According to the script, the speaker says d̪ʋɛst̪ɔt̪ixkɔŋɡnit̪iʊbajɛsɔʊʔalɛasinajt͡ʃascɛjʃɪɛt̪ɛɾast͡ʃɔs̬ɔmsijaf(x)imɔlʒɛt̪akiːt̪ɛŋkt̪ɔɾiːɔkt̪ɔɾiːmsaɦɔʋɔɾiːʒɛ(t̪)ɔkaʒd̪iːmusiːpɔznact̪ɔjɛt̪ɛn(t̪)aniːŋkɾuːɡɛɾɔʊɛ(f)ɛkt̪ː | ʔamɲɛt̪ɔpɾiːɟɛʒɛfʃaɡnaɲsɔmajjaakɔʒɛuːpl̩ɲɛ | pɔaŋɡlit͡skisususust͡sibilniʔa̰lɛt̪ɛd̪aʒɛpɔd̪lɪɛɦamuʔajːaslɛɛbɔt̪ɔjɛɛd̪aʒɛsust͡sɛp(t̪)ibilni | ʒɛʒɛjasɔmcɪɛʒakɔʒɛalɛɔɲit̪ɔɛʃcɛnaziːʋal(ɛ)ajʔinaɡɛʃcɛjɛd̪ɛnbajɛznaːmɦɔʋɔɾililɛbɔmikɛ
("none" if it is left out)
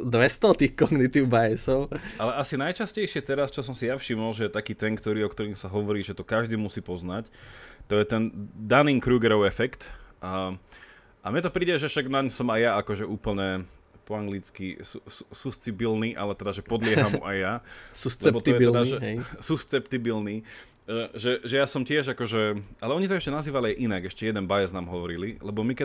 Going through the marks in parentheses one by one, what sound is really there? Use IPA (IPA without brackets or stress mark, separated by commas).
ʃ, t̪, d̪, f, t̪, i